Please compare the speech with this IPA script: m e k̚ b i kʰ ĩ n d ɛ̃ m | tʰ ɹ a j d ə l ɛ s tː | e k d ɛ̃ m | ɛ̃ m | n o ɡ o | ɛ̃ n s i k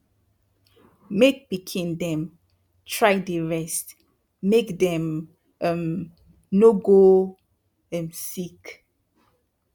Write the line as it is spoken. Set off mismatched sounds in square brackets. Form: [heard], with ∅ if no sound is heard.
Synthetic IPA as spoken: m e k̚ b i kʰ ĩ n d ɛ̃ m | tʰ ɹ a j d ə [ɹ] ɛ s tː | e k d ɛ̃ m | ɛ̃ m | n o ɡ o | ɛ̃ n s i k